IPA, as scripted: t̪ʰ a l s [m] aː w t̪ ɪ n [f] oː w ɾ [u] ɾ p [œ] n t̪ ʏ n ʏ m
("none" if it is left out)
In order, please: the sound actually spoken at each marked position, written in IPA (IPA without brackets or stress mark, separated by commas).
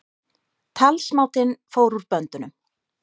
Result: m, f, u, œ